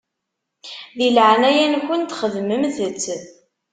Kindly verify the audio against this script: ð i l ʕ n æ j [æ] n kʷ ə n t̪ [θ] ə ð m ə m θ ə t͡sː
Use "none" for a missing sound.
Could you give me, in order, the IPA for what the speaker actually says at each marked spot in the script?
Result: æ, χ

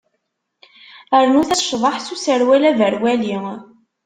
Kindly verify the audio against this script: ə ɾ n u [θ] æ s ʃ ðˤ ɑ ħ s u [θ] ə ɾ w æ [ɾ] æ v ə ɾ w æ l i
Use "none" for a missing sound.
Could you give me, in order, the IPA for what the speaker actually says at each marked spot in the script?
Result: θ, s, l

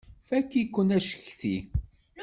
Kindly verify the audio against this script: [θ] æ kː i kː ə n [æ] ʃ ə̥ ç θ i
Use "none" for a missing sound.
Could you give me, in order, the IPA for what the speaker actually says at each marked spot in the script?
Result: f, æ

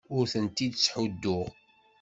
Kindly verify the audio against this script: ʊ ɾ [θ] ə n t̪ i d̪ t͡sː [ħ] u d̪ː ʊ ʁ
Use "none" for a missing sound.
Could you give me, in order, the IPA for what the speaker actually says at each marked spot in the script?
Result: θ, ħ

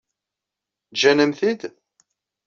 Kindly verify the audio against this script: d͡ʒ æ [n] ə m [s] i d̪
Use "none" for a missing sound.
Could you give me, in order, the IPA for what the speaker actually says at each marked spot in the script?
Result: n, θ

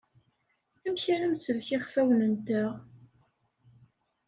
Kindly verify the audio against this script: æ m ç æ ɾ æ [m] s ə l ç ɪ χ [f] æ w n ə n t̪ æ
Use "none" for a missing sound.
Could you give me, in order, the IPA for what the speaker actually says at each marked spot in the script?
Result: m, f

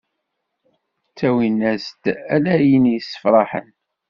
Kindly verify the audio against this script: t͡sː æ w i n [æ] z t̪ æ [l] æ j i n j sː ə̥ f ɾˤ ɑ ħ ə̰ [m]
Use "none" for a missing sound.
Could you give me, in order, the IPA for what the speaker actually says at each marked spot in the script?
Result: æ, l, n

